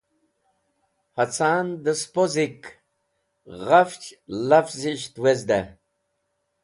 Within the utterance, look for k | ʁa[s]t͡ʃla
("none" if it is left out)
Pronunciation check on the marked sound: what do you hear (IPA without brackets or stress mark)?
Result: f